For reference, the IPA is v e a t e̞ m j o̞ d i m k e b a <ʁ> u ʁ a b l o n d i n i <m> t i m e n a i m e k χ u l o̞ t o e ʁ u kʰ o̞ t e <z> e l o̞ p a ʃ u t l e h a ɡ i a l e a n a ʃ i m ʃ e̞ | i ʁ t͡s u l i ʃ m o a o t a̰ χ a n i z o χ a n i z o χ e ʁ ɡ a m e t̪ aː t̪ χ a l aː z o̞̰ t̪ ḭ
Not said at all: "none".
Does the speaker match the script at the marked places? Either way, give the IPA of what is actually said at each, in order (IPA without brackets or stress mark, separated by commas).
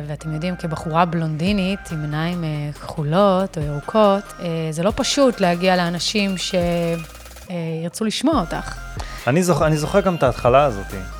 χ, none, z